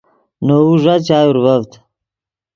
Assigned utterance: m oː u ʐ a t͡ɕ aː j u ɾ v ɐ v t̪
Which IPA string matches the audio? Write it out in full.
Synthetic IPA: n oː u ʐ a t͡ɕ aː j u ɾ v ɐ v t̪